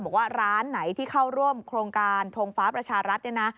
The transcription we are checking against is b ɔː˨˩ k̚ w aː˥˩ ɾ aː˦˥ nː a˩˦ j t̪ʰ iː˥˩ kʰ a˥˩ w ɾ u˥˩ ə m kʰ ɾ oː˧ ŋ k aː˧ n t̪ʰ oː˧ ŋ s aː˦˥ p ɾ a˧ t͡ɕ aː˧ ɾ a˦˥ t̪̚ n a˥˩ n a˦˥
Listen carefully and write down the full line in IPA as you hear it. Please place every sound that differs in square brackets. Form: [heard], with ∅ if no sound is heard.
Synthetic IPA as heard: b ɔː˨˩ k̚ w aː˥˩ ɾ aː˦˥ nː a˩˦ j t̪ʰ iː˥˩ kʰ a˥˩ w ɾ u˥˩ ə m kʰ ɾ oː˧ ŋ k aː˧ n t̪ʰ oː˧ ŋ [f] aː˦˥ p ɾ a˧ [t͡ɕʰ] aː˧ ɾ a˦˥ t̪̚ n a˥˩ n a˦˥